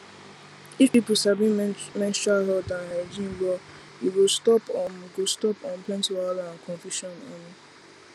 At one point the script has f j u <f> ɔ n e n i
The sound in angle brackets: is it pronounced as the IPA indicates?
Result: no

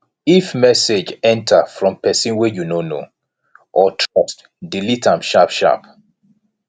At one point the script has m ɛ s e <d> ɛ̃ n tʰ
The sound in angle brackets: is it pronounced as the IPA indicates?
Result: no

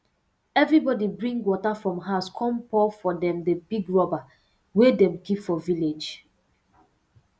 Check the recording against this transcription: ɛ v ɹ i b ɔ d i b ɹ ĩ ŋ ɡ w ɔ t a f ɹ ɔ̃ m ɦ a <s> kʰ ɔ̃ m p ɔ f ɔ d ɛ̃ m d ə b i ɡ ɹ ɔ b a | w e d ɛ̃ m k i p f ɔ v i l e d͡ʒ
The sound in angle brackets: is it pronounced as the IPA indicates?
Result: yes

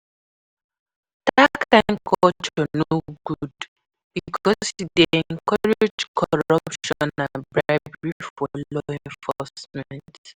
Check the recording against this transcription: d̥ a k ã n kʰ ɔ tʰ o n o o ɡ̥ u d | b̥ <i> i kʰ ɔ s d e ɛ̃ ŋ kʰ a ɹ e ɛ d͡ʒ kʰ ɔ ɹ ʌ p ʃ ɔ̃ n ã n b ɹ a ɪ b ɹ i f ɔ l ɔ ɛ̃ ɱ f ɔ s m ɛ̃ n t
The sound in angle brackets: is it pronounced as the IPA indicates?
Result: yes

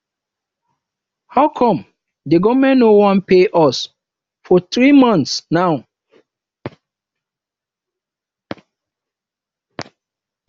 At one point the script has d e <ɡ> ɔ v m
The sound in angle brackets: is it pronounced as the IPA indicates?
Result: yes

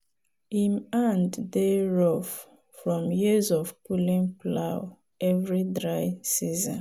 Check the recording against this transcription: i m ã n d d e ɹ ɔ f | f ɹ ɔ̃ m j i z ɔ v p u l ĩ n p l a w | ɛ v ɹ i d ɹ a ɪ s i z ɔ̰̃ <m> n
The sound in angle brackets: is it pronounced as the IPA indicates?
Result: no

